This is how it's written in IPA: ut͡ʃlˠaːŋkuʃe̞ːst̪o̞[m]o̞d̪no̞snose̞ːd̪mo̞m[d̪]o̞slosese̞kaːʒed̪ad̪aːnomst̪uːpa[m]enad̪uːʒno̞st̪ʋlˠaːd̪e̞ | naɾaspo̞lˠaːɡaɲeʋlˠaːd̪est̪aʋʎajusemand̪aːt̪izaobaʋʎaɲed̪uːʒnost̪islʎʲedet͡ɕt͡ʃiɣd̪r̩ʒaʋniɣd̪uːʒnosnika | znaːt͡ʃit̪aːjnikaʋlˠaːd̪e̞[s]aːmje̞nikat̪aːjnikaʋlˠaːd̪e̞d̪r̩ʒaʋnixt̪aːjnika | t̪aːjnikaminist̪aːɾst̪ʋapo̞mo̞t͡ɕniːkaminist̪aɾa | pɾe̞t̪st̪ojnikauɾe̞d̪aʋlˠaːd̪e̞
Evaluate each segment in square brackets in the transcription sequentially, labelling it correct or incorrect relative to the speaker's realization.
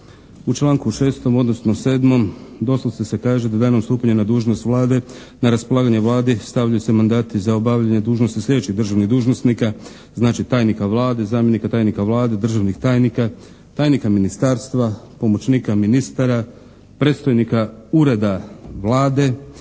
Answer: correct, correct, incorrect: ɲ, incorrect: z

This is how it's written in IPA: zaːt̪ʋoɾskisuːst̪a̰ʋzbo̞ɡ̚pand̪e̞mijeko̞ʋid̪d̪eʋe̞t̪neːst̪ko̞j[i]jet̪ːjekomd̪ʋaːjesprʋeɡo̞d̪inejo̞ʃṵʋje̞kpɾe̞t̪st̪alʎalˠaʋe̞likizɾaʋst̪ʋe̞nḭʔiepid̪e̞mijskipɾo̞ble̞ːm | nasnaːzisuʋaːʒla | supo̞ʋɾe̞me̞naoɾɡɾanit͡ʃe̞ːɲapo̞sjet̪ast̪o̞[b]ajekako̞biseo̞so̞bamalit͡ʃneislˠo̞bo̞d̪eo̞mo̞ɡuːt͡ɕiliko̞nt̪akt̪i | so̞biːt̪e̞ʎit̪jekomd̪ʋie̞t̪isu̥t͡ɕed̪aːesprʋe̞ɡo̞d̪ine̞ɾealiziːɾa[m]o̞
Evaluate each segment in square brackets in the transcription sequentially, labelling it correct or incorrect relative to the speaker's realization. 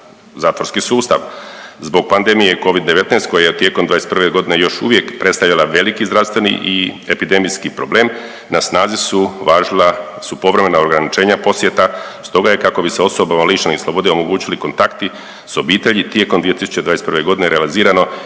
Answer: incorrect: a, incorrect: ɡ, incorrect: n

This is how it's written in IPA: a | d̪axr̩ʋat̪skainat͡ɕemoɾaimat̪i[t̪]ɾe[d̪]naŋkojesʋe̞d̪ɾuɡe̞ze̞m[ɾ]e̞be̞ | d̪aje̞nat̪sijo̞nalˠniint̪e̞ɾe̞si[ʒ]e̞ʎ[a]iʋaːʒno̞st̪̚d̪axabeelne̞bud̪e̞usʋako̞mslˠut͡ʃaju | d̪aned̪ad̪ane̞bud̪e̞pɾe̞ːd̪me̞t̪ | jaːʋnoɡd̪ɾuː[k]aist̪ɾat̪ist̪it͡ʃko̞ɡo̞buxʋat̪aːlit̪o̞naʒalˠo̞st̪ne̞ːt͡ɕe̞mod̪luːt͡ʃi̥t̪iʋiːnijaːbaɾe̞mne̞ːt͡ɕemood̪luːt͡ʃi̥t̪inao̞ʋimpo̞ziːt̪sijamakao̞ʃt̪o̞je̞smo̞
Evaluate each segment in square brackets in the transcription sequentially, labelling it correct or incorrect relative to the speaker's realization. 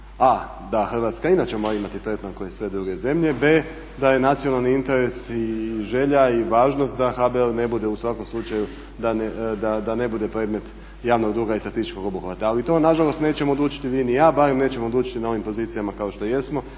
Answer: correct, incorrect: t̪, incorrect: ʎ, correct, correct, incorrect: ɡ

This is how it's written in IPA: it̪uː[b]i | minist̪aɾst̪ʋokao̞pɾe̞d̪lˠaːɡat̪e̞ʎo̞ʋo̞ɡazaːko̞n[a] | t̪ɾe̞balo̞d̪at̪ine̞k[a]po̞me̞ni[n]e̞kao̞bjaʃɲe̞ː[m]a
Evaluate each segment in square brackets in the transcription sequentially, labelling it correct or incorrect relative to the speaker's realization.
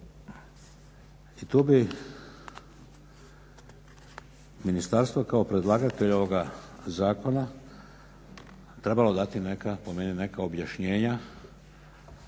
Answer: correct, correct, correct, correct, incorrect: ɲ

